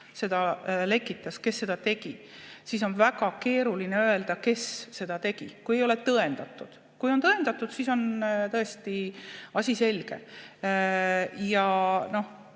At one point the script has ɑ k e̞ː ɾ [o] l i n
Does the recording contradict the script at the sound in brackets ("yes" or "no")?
yes